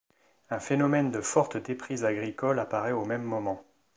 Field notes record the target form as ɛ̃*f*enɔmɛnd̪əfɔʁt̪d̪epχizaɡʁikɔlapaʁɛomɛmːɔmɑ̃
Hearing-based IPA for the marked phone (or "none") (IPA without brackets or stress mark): f